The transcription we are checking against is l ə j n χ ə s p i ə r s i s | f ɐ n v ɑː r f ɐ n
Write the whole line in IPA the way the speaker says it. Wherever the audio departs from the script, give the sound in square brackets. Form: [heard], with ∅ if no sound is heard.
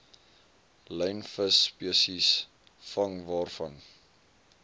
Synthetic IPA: l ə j n [f] ə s p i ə [∅] s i s | f ɐ [ŋ] v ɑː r f ɐ n